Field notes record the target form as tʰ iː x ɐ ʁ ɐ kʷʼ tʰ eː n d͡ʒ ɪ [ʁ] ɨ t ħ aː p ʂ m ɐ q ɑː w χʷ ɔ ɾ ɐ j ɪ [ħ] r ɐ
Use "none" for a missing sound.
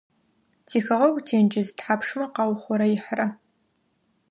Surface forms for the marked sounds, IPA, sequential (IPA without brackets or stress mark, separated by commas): z, ħ